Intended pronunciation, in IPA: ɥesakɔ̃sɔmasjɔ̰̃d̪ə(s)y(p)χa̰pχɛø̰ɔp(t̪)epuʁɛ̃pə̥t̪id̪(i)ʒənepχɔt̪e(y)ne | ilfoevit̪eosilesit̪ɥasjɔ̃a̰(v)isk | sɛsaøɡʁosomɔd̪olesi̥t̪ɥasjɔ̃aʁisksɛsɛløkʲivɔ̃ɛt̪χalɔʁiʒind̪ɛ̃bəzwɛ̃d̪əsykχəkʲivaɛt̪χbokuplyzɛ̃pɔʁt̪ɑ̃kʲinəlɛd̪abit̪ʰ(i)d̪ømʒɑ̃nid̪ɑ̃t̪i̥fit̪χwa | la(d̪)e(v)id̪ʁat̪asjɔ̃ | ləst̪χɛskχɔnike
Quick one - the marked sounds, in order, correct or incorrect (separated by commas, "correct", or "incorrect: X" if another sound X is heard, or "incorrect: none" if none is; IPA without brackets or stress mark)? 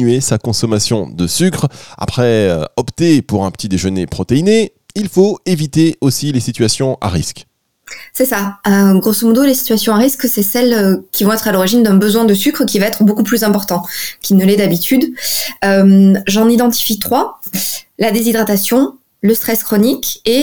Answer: correct, incorrect: k, correct, incorrect: e, incorrect: i, incorrect: ʁ, incorrect: y, correct, incorrect: z